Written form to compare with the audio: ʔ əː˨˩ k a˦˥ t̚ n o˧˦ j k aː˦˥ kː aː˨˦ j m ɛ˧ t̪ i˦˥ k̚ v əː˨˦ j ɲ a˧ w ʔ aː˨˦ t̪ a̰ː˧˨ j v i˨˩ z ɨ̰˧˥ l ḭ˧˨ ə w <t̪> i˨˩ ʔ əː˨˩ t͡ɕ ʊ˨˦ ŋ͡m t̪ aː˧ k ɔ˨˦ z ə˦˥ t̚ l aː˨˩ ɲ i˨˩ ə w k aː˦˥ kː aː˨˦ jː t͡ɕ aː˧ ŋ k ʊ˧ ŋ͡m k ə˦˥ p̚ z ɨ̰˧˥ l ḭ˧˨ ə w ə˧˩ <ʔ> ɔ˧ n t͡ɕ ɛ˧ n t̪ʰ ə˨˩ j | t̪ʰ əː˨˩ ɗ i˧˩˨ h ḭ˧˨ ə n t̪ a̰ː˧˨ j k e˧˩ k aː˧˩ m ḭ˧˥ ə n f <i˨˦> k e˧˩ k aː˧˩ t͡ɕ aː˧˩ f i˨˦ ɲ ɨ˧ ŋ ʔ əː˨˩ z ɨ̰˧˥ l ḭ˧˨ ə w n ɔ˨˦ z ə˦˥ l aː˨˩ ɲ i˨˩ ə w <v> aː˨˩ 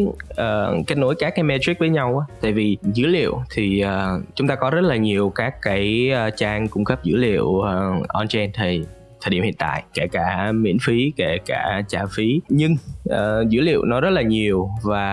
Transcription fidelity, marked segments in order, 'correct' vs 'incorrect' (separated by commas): incorrect, correct, correct, correct